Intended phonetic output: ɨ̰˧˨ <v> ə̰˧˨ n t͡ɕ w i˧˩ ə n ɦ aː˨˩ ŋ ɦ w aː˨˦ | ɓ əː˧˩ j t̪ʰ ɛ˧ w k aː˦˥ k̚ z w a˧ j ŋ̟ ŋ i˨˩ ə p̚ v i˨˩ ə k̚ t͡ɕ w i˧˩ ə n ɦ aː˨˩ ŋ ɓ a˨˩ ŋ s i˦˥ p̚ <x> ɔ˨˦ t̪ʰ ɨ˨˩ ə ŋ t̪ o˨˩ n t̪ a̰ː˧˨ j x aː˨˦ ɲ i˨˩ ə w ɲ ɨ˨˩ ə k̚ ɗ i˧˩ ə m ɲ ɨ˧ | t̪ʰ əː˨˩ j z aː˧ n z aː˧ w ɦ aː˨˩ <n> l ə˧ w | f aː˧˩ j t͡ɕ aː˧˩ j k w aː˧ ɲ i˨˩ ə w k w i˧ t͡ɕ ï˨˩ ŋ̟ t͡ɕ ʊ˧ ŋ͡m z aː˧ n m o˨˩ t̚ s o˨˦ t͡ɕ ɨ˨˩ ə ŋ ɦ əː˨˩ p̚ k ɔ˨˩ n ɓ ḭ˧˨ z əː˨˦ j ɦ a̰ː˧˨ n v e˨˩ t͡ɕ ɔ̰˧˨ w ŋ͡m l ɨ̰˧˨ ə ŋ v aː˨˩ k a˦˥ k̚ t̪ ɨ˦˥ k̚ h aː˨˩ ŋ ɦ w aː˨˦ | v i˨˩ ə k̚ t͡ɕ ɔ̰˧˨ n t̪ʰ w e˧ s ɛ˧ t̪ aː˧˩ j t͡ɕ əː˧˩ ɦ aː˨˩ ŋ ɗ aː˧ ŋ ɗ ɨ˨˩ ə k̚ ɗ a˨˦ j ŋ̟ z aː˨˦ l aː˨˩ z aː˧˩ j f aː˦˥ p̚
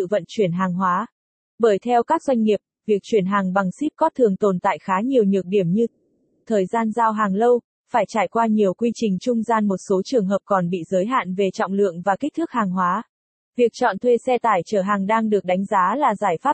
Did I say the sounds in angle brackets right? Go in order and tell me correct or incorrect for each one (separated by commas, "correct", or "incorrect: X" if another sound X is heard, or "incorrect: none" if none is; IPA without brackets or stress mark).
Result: correct, incorrect: k, incorrect: ŋ